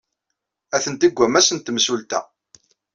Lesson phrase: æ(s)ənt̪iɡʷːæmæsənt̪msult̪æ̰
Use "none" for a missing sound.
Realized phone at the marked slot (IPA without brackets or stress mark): θ